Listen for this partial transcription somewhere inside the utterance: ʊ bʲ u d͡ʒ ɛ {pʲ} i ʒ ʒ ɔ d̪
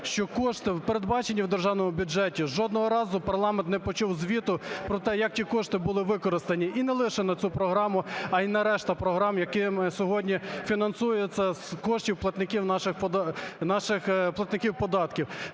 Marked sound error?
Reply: yes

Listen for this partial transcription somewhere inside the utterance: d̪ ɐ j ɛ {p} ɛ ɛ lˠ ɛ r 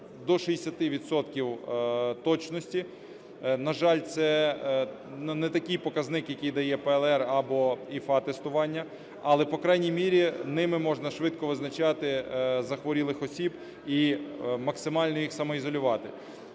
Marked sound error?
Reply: no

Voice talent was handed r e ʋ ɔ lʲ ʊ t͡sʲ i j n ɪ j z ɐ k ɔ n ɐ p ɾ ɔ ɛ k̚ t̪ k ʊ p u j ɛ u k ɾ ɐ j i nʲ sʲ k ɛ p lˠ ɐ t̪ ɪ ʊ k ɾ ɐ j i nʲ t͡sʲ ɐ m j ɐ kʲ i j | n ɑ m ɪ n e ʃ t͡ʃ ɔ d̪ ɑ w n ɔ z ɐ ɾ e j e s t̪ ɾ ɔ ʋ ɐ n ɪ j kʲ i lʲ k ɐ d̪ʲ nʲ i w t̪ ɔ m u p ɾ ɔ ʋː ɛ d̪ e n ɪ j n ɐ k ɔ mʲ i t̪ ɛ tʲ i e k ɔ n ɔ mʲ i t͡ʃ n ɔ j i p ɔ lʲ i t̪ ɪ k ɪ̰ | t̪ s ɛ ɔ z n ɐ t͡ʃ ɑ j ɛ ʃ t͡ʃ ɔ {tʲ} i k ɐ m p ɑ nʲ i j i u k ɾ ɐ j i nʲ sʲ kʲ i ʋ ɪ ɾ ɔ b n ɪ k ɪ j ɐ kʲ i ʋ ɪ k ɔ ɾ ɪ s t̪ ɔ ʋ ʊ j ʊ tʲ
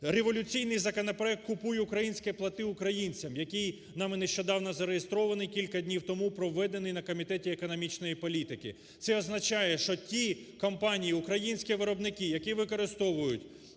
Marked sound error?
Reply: no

